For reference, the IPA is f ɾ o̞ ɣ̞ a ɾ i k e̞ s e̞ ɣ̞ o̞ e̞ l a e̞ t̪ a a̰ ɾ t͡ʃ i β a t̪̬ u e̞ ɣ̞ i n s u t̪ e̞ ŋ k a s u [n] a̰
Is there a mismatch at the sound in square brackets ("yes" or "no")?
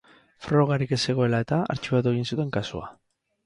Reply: yes